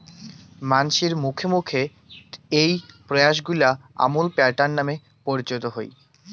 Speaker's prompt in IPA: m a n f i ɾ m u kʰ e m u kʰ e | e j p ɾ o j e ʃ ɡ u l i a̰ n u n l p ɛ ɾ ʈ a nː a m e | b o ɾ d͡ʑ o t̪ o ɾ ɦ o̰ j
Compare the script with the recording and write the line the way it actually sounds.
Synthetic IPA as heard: m a n ʃ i ɾ m u kʰ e m u kʰ e | e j p ɾ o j a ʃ ɡ u l a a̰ m u l p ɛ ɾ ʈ a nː a m e | p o ɾ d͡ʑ o t̪ o ɦ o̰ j